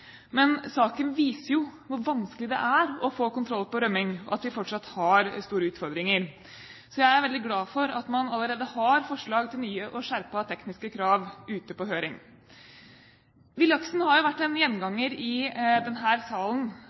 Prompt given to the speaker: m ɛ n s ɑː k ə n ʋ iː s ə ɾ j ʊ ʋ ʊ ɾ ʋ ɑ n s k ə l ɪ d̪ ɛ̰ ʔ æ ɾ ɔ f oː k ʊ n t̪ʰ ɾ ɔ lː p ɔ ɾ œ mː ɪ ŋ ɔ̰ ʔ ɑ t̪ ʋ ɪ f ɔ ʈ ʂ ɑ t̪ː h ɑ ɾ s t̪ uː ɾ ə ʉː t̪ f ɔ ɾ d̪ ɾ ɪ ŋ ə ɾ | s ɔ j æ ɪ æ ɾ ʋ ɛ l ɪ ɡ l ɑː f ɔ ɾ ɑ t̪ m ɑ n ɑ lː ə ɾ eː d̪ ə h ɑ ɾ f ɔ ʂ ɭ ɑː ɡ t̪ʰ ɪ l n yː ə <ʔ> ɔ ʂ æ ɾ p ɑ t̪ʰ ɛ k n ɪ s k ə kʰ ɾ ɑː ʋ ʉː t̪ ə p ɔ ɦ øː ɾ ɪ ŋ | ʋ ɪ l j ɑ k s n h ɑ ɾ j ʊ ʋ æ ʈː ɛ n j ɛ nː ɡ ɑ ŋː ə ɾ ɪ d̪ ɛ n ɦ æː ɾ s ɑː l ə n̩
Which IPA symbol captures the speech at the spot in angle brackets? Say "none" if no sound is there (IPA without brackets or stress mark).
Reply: ʔ